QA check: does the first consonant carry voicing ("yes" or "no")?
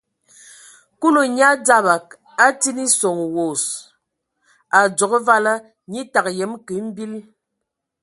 no